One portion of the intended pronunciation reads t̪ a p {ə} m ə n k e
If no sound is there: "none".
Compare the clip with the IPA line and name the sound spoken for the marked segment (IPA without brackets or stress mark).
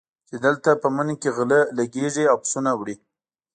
ə